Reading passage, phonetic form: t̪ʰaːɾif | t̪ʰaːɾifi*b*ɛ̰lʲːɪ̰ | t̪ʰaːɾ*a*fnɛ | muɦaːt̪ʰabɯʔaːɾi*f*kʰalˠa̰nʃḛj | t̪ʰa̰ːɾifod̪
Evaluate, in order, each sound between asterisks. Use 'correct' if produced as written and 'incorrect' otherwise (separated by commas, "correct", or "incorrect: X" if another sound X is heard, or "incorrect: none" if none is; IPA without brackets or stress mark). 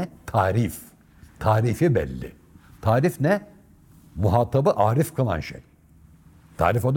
correct, incorrect: i, correct